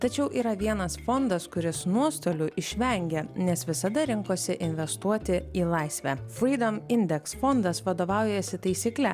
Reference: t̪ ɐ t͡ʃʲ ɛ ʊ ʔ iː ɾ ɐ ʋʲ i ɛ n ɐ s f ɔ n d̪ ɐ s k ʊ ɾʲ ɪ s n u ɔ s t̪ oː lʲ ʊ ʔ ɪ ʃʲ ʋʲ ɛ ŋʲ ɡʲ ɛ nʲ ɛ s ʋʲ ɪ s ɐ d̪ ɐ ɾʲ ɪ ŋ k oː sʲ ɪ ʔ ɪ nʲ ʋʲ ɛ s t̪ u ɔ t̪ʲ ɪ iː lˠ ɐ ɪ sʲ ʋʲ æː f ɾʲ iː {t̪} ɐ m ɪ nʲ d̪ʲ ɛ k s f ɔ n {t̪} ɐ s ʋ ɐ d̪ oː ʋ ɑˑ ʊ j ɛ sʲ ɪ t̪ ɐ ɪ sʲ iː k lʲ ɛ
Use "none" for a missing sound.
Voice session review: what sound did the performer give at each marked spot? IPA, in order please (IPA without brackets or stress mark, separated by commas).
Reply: d̪, d̪